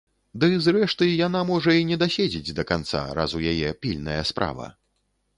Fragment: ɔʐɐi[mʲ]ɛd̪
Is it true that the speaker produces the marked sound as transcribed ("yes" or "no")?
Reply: no